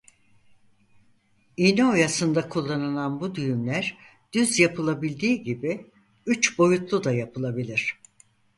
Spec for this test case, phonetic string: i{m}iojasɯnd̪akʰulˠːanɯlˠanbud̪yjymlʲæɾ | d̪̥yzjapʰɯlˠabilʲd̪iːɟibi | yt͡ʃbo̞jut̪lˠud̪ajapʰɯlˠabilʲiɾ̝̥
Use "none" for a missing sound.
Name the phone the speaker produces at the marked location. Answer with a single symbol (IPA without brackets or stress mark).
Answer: n